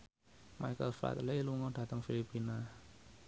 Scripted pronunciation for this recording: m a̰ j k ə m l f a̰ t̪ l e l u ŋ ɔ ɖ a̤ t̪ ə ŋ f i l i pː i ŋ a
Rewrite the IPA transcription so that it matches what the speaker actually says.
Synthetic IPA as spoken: m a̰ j k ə l f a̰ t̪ l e l u ŋ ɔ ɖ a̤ t̪ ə ŋ f i l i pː i n a